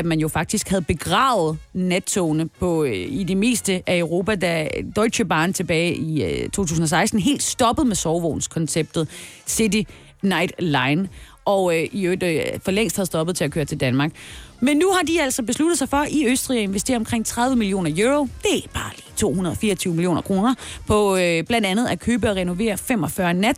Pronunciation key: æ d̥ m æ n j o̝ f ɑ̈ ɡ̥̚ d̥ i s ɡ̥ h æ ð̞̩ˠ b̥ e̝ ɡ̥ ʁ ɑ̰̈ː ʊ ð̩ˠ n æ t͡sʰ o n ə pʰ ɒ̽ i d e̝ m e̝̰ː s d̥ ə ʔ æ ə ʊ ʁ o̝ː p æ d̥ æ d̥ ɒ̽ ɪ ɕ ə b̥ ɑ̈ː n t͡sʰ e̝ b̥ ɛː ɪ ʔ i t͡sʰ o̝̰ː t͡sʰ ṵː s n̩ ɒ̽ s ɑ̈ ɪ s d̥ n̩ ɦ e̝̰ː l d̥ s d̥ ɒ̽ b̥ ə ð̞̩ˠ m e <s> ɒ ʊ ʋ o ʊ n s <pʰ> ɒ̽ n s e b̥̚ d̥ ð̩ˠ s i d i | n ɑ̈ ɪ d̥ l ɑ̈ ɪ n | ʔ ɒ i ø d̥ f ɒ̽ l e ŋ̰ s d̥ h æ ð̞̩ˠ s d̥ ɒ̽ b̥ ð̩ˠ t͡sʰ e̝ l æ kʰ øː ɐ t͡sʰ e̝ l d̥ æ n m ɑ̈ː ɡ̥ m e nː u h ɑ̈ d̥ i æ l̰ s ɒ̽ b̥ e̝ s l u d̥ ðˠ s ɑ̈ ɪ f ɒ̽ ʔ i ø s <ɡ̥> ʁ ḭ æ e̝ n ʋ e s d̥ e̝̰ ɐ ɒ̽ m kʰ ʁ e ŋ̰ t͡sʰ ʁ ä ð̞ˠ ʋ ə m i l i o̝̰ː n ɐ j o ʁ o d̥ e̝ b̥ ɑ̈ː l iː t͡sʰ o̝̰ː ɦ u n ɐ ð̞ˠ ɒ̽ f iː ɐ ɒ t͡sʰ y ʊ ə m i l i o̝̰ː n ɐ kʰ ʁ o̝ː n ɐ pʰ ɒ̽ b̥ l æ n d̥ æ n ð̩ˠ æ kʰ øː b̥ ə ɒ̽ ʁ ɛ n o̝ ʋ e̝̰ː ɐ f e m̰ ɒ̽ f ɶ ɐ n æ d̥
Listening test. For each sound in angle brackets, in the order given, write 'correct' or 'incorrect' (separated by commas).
correct, incorrect, incorrect